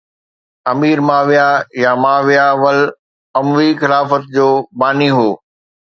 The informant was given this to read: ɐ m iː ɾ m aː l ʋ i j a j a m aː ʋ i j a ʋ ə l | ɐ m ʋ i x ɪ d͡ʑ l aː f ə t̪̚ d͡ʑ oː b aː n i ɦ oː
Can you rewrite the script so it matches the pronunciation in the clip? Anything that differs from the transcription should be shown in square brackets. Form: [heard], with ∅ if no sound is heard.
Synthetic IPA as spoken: ɐ m iː ɾ m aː [∅] ʋ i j a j a m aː ʋ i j a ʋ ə l | ɐ m ʋ i x ɪ [∅] l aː f ə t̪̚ d͡ʑ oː b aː n i ɦ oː